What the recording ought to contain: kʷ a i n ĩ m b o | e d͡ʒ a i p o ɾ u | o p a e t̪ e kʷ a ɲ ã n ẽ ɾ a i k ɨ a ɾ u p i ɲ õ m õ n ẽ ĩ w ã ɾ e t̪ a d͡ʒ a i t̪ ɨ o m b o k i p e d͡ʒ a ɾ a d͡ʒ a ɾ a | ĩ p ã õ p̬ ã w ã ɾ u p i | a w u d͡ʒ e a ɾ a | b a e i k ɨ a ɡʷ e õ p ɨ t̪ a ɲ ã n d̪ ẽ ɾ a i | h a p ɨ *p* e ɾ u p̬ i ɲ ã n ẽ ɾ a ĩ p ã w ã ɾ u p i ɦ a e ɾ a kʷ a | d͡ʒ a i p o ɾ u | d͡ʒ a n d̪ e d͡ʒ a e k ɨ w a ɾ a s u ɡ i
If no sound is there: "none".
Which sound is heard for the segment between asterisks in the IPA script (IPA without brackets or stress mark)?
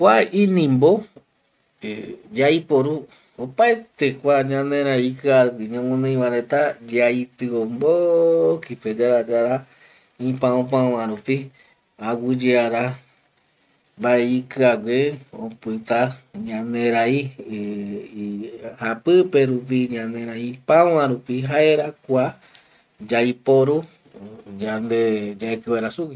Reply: p